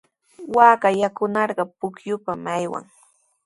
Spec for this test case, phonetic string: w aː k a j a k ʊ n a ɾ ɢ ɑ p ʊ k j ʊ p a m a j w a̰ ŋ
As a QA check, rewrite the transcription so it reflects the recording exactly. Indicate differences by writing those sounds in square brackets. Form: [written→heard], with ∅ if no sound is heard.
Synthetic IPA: w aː k a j a k ʊ n [a→ɑ] ɾ ɢ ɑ p ʊ k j ʊ p a m a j w a̰ ŋ